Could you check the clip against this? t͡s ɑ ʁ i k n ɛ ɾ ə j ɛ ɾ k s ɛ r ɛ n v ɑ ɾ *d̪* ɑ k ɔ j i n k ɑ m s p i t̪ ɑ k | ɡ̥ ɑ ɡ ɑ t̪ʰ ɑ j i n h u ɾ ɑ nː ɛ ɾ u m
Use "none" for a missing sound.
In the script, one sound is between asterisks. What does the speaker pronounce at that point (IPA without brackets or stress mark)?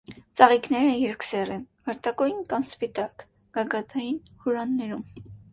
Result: t̪